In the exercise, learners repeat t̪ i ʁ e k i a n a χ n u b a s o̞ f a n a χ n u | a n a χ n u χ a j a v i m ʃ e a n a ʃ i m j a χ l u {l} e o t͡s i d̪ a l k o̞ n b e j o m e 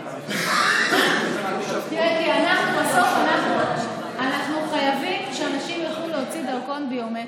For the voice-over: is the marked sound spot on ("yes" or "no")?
yes